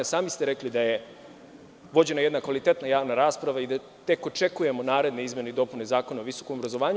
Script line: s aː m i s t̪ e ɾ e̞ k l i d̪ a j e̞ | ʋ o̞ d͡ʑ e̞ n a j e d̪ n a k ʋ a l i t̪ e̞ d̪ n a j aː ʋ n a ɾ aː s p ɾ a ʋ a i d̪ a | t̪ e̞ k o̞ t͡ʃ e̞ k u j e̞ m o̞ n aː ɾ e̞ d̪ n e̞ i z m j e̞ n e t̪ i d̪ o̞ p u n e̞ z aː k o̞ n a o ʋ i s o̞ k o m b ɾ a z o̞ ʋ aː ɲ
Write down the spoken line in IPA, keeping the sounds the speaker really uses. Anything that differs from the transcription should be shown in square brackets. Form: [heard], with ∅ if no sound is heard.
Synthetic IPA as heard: s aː m i s t̪ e ɾ e̞ k l i d̪ a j e̞ | ʋ o̞ d͡ʑ e̞ n a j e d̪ n a k ʋ a l i t̪ e̞ [t̪] n a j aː ʋ n a ɾ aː s p ɾ a ʋ a i d̪ a | t̪ e̞ k o̞ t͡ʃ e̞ k u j e̞ m o̞ n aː ɾ e̞ d̪ n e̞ i z m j e̞ n e [∅] i d̪ o̞ p u n e̞ z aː k o̞ n a o ʋ i s o̞ k o m b ɾ a z o̞ ʋ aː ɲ